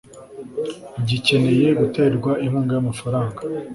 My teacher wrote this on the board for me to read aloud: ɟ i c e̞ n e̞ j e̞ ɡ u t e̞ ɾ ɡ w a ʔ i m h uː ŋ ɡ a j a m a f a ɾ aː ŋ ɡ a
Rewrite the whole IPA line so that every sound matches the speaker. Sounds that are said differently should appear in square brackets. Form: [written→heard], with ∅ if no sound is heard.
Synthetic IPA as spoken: ɟ i c e̞ n e̞ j e̞ ɡ u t e̞ ɾ ɡ w a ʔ i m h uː ŋ ɡ a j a m a f a ɾ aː ŋ ɡ a